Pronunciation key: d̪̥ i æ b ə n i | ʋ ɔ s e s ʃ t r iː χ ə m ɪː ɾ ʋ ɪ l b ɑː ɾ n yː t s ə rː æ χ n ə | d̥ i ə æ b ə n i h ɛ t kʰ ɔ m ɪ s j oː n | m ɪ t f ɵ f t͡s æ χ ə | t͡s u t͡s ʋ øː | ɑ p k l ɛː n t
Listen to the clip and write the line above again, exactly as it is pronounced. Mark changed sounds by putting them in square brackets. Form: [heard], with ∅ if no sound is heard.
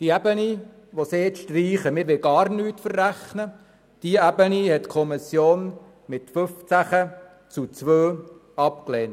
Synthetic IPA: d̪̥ i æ b ə n i | ʋ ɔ s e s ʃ t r iː χ ə m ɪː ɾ ʋ ɪ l [ɡ] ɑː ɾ n yː t [f] ə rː æ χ n ə | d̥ i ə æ b ə n i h ɛ t kʰ ɔ m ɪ s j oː n | m ɪ t f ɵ f t͡s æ χ ə | t͡s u t͡s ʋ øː | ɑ p k l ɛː n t